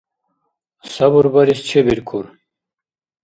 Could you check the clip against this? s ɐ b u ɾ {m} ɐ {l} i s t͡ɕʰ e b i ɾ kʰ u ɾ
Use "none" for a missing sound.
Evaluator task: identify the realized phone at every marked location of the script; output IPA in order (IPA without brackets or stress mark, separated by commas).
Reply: b, ɾ